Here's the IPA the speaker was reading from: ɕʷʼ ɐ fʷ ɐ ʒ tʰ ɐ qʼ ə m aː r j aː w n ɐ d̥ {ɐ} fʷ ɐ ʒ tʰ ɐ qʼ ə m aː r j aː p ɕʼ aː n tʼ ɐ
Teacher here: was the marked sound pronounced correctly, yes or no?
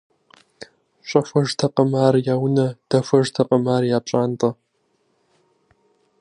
yes